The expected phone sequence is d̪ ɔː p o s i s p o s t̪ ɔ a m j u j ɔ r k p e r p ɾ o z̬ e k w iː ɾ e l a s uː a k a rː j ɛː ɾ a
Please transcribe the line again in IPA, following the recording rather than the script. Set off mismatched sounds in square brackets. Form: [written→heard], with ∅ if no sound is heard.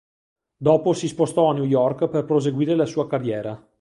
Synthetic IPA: d̪ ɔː p o s i s p o s t̪ ɔ a [m→n] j u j ɔ r k p e r p ɾ o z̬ e [k→ɡ] w iː ɾ e l a s uː a k a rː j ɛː ɾ a